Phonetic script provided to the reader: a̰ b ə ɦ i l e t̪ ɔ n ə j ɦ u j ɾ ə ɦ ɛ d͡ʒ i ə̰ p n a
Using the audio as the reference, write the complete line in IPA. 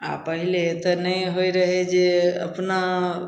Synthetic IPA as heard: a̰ p ə ɦ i l e t̪ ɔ n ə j ɦ o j ɾ ə ɦ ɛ d͡ʒ e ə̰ p n a